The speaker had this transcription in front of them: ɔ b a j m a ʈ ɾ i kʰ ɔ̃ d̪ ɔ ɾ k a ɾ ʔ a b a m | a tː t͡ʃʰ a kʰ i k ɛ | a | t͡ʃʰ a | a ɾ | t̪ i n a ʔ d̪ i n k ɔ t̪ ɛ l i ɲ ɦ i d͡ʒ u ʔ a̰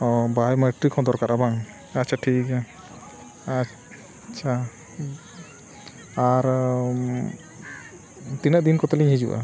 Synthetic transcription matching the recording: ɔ b a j m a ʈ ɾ i kʰ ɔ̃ d̪ ɔ ɾ k a ɾ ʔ a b a ŋ | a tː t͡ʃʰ a ʈʰ i k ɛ | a | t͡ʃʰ a | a ɾ | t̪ i n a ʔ d̪ i n k ɔ t̪ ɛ l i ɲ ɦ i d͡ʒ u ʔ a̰